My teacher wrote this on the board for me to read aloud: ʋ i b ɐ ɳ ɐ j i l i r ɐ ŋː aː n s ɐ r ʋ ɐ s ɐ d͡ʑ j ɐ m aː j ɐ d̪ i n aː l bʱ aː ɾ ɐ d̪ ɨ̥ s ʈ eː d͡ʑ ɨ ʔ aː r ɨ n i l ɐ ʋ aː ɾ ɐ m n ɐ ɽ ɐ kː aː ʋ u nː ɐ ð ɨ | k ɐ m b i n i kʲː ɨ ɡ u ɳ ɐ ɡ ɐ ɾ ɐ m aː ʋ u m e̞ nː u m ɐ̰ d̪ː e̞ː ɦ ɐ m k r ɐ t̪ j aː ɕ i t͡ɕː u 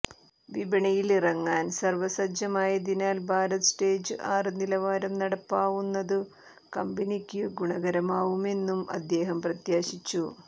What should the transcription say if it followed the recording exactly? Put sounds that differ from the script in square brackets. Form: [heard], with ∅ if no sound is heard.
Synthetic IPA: ʋ i b ɐ ɳ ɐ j i l i r ɐ ŋː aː n s ɐ r ʋ ɐ s ɐ d͡ʑ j ɐ m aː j ɐ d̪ i n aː l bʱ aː ɾ ɐ [t̪] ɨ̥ s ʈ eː d͡ʑ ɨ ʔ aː r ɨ n i l ɐ ʋ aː ɾ ɐ m n ɐ ɽ ɐ [pː] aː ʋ u nː ɐ ð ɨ | k ɐ m b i n i kʲː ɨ ɡ u ɳ ɐ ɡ ɐ ɾ ɐ m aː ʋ u m e̞ nː u m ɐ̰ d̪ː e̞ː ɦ ɐ m [p] r ɐ t̪ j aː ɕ i t͡ɕː u